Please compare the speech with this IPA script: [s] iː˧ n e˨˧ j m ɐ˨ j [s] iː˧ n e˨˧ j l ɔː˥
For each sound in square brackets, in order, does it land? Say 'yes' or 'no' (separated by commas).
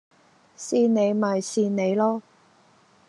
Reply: yes, yes